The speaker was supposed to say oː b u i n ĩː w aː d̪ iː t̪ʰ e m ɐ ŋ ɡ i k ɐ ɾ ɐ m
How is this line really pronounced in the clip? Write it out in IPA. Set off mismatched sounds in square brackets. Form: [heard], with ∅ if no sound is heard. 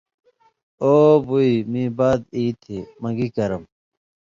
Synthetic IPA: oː b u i [m] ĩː [b] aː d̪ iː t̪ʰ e m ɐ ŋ ɡ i k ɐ ɾ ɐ m